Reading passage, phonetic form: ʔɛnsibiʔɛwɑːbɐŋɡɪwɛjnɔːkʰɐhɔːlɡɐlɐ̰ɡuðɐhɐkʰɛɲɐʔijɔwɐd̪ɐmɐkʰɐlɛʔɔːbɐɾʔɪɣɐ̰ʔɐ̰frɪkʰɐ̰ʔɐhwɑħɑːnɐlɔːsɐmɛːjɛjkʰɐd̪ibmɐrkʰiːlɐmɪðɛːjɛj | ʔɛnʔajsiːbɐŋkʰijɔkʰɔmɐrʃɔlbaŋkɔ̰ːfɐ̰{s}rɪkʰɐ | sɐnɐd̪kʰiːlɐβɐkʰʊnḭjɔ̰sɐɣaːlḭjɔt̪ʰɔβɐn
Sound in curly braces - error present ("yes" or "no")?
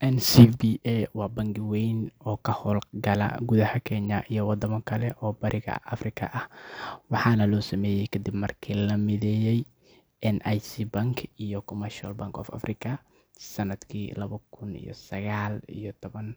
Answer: yes